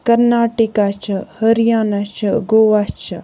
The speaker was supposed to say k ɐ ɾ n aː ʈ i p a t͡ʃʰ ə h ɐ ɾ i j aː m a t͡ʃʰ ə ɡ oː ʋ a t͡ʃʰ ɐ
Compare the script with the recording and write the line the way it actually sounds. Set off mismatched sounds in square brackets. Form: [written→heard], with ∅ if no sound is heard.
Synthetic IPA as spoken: k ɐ ɾ n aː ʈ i [p→k] a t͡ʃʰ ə h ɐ ɾ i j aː [m→n] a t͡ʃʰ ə ɡ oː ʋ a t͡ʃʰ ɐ

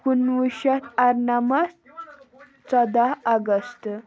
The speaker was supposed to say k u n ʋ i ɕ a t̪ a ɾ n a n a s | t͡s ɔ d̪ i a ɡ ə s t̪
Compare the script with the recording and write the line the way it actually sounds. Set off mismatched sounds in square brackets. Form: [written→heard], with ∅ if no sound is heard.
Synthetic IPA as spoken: k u n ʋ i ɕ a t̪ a ɾ n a [n→m] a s | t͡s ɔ d̪ [i→a] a ɡ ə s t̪

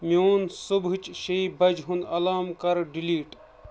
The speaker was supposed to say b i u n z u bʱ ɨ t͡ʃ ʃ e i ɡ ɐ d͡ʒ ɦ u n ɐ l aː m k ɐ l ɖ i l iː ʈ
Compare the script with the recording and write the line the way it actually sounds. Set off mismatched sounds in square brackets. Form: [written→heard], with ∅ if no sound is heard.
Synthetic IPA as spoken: [b→m] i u n [z→s] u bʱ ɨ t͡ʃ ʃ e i [ɡ→b] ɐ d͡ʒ ɦ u n ɐ l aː m k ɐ [l→ɾ] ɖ i l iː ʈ

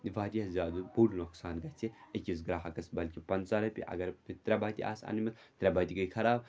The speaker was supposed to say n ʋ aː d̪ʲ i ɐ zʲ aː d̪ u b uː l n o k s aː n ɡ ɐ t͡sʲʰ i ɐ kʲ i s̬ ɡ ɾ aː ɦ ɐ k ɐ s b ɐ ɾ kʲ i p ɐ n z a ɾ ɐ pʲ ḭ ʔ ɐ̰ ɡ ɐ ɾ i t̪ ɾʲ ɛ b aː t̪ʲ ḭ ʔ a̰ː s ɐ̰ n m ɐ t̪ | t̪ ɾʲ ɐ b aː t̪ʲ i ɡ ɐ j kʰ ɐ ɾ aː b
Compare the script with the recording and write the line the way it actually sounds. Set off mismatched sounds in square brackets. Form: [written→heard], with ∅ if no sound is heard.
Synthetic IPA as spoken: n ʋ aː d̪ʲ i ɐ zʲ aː d̪ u b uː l n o k s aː n ɡ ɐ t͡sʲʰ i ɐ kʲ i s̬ ɡ ɾ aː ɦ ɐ k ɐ s b ɐ [ɾ→l] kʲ i p ɐ n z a ɾ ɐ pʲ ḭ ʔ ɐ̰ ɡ ɐ ɾ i t̪ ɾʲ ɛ b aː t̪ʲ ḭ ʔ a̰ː s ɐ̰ n m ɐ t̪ | t̪ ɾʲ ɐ b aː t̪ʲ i ɡ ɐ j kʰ ɐ ɾ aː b

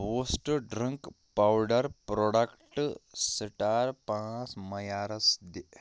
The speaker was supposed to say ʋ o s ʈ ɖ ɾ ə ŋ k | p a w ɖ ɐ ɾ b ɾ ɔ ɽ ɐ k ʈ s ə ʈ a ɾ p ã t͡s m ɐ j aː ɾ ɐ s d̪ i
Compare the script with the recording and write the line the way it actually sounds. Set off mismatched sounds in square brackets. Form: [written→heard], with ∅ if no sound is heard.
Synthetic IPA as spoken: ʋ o s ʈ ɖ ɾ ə ŋ k | p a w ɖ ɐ ɾ [b→p] ɾ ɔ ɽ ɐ k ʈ s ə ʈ a ɾ p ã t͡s m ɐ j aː ɾ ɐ s d̪ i

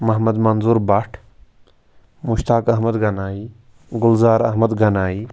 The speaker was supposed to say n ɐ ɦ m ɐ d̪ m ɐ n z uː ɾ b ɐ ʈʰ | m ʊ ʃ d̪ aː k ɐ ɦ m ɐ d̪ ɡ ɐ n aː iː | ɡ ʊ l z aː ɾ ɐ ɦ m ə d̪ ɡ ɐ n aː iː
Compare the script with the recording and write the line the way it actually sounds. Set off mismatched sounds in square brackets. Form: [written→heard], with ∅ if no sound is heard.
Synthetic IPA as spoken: [n→m] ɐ ɦ m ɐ d̪ m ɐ n z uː ɾ b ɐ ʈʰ | m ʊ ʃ [d̪→t̪] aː k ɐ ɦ m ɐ d̪ ɡ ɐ n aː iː | ɡ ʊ l z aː ɾ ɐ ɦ m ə d̪ ɡ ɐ n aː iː

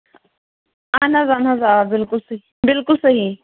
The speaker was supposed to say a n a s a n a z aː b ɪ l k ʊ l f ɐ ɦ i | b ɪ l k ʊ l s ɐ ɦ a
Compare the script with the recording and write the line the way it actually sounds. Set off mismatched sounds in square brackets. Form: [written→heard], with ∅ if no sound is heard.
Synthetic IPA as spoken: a n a [s→z] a n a z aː b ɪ l k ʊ l [f→s] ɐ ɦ i | b ɪ l k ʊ l s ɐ ɦ [a→i]

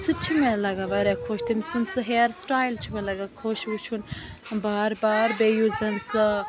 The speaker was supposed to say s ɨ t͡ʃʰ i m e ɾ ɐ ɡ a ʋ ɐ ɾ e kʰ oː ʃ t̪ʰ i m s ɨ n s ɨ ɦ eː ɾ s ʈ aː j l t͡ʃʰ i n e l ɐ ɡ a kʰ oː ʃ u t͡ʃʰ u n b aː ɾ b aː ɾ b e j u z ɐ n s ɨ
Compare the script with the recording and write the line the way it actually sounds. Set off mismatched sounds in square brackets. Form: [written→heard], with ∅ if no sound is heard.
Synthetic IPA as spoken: s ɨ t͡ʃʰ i m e [ɾ→l] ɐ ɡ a ʋ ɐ ɾ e kʰ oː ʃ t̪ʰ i m s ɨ n s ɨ ɦ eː ɾ s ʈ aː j l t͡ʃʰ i [n→m] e l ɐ ɡ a kʰ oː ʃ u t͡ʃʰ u n b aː ɾ b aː ɾ b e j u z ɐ n s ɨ

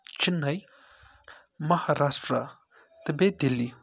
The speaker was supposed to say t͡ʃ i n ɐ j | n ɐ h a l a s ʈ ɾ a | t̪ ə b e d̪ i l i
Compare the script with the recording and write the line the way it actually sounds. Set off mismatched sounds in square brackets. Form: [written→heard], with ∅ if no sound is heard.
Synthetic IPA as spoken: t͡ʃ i n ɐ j | [n→m] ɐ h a [l→ɾ] a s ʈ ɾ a | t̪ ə b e d̪ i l i

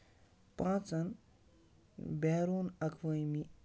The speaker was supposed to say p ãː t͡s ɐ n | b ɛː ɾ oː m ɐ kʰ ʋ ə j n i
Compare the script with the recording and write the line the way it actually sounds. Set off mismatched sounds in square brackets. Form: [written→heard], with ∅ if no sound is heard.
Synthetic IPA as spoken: p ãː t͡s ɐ n | b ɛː ɾ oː [m→n] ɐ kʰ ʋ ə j [n→m] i

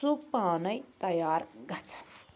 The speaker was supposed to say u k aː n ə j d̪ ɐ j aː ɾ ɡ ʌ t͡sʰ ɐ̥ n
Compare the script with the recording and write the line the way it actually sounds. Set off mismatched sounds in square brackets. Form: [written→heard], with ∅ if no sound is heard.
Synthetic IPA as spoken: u [k→p] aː n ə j [d̪→t̪] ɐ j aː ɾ ɡ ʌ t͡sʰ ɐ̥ n

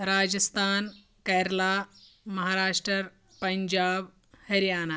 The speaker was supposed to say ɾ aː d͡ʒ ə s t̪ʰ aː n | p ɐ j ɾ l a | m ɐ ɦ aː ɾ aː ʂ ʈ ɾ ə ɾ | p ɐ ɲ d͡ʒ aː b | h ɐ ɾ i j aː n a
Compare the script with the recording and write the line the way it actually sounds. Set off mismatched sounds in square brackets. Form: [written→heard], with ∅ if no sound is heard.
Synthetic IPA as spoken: ɾ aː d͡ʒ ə s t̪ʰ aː n | [p→k] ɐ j ɾ l a | m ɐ ɦ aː ɾ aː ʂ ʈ ɾ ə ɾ | p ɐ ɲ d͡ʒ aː b | h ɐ ɾ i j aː n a

